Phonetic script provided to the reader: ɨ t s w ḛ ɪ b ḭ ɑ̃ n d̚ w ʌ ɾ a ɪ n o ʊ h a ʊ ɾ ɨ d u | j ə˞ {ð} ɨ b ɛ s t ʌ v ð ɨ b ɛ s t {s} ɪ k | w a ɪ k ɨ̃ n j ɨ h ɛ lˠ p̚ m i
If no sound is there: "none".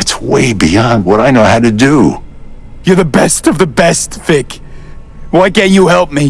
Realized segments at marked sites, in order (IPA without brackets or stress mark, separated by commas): ð, θ